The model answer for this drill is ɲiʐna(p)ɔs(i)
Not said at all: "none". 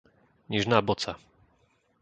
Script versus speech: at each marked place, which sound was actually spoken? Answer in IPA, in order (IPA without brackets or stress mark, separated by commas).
b, a